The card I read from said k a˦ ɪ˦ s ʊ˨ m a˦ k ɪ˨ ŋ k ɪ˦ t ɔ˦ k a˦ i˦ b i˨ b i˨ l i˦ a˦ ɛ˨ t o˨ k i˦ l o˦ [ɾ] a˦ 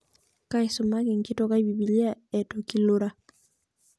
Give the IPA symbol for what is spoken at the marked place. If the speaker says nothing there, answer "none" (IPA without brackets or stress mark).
ɾ